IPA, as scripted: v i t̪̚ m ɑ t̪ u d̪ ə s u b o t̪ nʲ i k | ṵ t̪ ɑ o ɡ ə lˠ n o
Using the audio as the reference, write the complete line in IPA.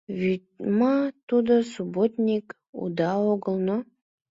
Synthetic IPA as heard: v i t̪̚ m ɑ t̪ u d̪ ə s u b o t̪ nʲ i k | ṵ d̪ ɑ o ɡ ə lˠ n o